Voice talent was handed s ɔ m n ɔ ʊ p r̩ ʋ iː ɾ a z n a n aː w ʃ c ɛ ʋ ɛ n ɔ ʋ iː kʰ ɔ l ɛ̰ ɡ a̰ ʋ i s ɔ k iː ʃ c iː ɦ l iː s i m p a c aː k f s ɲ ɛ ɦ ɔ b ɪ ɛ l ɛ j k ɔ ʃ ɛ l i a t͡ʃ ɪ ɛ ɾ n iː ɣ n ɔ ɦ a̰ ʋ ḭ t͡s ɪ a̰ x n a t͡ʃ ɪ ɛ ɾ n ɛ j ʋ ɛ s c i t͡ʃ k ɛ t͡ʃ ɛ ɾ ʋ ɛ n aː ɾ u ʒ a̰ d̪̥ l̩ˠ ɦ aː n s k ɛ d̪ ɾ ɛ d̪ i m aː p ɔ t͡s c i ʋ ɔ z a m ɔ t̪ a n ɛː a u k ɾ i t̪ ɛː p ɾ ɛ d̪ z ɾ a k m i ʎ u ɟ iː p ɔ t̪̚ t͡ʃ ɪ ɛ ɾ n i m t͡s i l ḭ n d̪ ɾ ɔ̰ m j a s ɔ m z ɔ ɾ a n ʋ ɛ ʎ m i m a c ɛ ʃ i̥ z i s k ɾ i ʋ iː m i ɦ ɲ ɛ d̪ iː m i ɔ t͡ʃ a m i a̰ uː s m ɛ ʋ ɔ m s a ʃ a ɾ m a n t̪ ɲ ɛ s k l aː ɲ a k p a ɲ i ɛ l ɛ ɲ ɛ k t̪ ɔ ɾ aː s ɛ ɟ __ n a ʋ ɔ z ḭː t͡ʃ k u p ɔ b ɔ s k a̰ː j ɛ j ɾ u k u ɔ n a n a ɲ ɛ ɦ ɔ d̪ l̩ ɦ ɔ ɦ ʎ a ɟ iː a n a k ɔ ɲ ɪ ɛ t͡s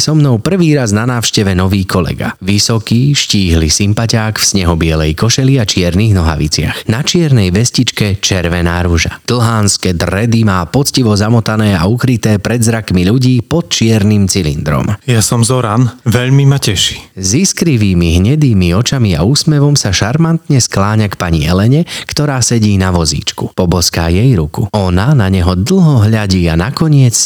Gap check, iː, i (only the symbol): iː